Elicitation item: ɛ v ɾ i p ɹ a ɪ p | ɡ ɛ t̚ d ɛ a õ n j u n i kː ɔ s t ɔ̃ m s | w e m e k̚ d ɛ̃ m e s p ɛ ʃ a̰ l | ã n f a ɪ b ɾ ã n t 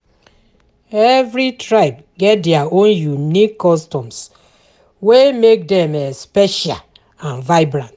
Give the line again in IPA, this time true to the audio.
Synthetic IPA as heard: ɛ v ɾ i t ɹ a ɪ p | ɡ ɛ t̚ d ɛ a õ n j u n i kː ɔ s t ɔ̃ m s | w e m e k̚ d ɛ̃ m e s p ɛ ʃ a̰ l | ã n v a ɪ b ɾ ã n t